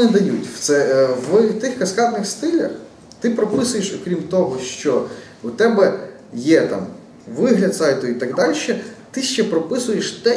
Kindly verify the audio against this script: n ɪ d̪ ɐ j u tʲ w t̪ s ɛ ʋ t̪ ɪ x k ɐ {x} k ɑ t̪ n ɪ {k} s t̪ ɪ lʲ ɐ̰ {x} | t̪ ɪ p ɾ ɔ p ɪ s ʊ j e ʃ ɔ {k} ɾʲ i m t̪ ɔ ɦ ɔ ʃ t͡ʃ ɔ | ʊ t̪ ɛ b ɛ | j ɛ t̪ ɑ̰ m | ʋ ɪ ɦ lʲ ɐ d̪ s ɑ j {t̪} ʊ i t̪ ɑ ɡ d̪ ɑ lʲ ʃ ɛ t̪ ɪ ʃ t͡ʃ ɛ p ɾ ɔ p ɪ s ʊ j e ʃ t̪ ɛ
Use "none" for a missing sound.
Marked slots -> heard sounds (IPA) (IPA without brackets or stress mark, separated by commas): s, x, x, k, t̪